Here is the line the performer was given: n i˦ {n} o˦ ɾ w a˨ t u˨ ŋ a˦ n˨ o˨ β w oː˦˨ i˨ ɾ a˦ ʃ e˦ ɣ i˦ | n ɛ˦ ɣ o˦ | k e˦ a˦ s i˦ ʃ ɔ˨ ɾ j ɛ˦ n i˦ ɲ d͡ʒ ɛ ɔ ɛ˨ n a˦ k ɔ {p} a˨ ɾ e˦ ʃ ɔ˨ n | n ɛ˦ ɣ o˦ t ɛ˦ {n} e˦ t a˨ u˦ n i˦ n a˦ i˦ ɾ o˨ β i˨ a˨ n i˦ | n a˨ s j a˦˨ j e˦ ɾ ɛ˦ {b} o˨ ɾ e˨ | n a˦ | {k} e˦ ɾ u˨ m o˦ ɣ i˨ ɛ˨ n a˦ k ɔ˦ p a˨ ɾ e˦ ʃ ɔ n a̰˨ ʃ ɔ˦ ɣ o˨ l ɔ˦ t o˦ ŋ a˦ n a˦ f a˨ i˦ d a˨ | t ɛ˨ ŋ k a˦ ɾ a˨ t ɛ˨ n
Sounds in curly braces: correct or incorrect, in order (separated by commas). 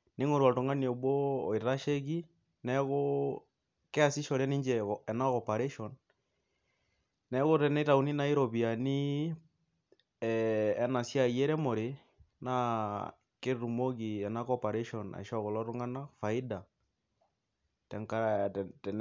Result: incorrect, correct, correct, incorrect, correct